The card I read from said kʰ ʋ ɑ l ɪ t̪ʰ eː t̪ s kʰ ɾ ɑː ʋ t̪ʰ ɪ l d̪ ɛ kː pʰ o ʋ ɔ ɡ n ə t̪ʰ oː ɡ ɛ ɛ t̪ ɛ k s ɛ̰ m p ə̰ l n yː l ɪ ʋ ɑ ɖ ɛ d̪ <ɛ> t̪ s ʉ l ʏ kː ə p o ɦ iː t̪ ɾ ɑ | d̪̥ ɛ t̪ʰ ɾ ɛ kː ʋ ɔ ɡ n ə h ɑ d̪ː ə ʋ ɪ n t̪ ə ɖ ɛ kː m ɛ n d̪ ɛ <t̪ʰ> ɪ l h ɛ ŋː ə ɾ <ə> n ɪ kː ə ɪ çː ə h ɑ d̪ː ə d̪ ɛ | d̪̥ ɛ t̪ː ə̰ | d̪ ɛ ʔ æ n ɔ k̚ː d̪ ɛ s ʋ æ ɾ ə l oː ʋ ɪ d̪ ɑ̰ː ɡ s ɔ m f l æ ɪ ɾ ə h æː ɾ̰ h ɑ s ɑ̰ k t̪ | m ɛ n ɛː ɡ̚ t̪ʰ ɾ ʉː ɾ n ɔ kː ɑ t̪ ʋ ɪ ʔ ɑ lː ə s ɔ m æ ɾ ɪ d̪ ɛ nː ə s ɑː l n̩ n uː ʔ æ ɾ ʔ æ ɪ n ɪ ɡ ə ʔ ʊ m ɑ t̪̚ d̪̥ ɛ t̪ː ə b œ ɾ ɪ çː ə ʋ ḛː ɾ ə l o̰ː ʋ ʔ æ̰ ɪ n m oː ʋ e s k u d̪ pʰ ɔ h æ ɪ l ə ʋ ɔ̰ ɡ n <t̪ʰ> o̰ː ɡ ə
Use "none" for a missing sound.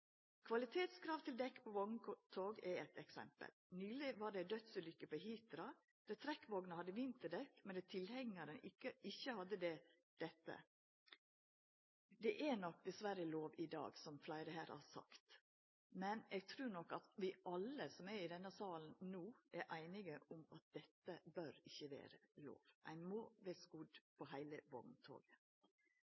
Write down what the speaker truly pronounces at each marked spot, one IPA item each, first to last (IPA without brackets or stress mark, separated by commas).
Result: œ, t̪ʰ, ə, t̪ʰ